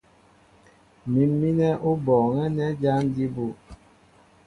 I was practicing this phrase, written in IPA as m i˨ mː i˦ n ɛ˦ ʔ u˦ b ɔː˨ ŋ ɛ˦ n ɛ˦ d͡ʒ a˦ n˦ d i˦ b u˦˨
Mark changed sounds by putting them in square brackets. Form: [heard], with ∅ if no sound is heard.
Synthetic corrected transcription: m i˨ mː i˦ n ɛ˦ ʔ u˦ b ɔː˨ ŋ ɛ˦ n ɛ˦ d͡ʒ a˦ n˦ d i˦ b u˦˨